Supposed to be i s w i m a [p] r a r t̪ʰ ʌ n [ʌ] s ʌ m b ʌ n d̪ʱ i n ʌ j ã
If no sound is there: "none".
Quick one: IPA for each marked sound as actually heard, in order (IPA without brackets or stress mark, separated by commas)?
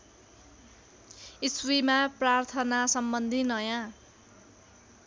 p, a